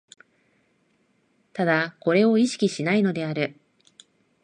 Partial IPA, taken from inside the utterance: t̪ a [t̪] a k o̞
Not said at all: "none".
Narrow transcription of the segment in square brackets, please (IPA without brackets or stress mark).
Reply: d̪